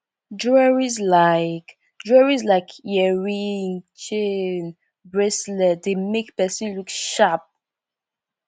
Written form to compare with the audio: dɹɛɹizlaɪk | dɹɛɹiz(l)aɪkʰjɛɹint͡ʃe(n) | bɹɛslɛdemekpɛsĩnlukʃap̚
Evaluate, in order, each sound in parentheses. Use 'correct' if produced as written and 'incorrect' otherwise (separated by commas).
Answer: correct, correct